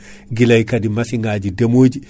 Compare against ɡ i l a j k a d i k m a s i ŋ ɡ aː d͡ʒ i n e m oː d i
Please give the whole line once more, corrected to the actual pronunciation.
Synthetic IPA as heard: ɡ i l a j k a d i m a s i ŋ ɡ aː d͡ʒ i d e m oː d͡ʒ i